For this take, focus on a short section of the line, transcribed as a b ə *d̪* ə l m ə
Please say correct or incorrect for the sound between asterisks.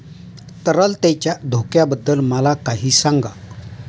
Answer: incorrect